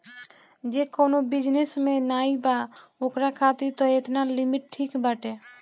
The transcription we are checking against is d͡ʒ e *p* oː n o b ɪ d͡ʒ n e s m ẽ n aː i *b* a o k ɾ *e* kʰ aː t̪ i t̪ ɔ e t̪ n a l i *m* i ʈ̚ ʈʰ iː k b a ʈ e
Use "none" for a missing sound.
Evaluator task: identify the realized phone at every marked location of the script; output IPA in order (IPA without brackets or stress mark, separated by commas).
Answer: k, b, a, m